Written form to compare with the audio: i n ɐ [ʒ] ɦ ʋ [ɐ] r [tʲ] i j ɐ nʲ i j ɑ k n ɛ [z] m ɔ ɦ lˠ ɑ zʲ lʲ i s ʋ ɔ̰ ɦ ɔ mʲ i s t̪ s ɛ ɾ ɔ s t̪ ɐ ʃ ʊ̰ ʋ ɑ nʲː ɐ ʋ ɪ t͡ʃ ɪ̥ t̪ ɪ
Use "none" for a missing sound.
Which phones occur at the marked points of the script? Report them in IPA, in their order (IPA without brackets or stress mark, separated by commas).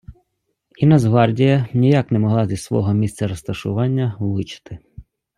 z, ɑ, dʲ, none